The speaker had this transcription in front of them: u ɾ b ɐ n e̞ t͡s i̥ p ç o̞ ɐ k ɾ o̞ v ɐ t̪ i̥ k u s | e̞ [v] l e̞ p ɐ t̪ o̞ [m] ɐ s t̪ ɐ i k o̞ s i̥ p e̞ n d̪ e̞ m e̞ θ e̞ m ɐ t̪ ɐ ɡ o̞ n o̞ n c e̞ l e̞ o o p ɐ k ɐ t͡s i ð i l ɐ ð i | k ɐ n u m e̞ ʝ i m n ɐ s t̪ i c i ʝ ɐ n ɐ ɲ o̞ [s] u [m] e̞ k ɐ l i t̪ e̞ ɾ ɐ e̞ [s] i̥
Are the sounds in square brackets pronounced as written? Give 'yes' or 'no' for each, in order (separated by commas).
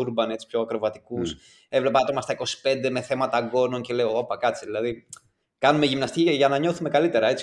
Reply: yes, yes, no, yes, no